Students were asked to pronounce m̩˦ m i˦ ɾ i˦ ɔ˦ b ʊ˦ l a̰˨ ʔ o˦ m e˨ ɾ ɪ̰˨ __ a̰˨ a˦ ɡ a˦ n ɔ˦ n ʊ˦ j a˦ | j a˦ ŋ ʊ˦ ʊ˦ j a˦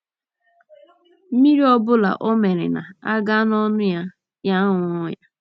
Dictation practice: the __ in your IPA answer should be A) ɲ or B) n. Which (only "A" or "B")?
B